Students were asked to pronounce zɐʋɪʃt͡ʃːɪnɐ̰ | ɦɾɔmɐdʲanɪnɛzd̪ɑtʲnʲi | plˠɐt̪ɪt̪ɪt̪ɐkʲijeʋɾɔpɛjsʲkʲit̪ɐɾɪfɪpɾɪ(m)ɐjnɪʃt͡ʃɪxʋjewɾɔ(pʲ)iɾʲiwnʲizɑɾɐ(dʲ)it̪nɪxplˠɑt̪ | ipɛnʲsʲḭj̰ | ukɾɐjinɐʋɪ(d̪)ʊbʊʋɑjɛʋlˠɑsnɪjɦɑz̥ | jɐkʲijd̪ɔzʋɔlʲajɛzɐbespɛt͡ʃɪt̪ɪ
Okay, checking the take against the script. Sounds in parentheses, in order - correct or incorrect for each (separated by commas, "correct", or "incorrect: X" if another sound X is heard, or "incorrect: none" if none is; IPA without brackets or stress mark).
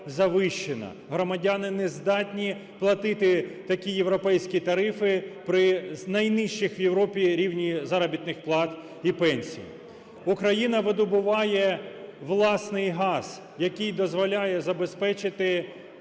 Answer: incorrect: n, correct, incorrect: bʲ, correct